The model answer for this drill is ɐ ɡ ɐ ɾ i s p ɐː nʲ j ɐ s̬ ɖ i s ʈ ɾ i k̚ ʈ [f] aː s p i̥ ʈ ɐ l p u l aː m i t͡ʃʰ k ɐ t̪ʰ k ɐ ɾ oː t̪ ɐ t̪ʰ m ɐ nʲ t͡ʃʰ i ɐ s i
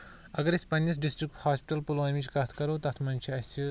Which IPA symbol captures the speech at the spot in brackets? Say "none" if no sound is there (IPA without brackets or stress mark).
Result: h